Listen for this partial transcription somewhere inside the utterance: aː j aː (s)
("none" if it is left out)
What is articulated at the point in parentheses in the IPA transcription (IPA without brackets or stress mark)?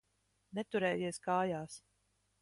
s